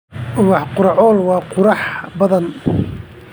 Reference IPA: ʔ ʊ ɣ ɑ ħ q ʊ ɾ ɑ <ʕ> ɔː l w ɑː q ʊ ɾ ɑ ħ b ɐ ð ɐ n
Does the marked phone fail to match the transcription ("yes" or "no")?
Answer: no